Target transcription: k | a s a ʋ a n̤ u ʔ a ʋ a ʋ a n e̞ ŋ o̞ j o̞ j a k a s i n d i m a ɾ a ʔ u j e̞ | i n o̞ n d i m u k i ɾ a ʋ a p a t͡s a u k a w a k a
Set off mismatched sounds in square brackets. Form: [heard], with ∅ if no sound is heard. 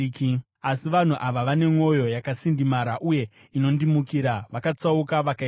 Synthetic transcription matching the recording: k | a s [i] ʋ a n̤ u ʔ a ʋ a ʋ a n e̞ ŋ o̞ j o̞ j a k a s i n d i m a ɾ a ʔ u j e̞ | i n o̞ n d i m u k i ɾ a ʋ a [k] a t͡s a u k a [ʋ] a k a

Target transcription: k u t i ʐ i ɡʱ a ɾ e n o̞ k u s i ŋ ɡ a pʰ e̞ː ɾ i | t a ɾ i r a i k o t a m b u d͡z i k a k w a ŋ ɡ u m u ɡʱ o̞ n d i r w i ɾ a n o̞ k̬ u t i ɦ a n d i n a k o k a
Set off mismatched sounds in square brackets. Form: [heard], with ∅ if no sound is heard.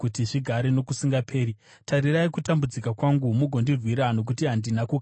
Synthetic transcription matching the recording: k u t i ʐ i ɡʱ a ɾ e n o̞ k u s i ŋ ɡ a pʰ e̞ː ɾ i | t a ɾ i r a i k [u] t a m b u d͡z i k a k w a ŋ ɡ u m u ɡʱ o̞ n d i r w i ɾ a n o̞ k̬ u t i ɦ a n d i n a k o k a

